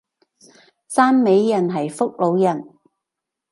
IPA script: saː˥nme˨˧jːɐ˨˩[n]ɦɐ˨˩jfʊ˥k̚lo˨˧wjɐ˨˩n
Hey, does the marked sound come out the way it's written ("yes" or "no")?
yes